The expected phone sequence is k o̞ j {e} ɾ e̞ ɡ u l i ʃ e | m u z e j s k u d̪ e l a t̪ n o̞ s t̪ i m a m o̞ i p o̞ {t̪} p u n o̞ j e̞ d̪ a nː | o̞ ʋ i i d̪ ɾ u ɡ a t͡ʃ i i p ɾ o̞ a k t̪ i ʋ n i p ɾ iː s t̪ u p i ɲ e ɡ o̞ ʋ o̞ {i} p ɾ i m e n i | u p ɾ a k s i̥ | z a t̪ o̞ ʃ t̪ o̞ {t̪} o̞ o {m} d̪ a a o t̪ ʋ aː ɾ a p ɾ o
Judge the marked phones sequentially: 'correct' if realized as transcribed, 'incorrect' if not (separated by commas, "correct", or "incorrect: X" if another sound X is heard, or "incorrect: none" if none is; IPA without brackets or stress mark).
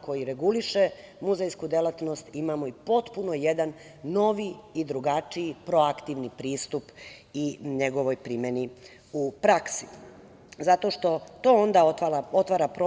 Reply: incorrect: i, correct, incorrect: j, correct, incorrect: n